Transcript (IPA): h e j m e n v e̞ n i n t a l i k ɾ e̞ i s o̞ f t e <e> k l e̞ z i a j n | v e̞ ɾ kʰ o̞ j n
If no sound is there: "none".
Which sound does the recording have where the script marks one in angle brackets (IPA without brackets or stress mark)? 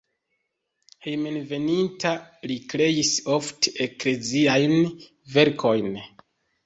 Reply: e